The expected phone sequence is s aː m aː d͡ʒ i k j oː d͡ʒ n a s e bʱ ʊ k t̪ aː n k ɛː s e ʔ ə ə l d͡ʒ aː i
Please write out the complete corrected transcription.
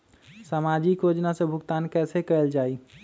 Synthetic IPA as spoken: s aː m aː d͡ʒ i k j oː d͡ʒ n a s e bʱ ʊ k t̪ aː n k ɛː s e k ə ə l d͡ʒ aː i